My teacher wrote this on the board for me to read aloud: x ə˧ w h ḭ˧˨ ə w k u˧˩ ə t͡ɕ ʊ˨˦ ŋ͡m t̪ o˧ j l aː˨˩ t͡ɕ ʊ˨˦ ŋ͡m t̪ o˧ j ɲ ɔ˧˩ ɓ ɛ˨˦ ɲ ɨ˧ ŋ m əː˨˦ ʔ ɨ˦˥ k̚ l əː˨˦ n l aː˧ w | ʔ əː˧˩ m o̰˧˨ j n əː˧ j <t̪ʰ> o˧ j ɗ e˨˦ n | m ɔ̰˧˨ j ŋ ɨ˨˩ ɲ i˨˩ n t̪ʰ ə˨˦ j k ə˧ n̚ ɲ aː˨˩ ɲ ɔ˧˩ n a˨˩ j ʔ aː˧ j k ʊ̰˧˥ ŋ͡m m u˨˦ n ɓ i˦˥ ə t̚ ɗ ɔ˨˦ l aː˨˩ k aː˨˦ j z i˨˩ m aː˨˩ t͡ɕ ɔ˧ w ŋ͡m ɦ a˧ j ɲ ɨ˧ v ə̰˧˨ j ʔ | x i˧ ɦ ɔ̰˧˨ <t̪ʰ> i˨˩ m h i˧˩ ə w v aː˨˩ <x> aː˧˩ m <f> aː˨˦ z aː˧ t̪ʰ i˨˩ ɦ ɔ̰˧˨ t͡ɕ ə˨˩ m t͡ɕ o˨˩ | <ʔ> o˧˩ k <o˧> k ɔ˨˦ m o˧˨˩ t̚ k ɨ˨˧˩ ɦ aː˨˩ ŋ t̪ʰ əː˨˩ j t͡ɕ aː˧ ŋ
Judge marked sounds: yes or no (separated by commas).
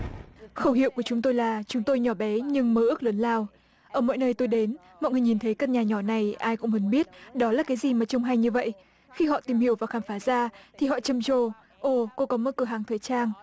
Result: no, no, yes, yes, yes, yes